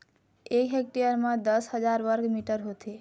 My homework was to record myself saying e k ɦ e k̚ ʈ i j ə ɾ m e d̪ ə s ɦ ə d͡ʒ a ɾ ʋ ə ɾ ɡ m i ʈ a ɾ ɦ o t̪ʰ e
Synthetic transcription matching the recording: e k ɦ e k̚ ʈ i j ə ɾ m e d̪ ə s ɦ ə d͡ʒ a ɾ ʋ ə ɾ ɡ m i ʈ ə ɾ ɦ o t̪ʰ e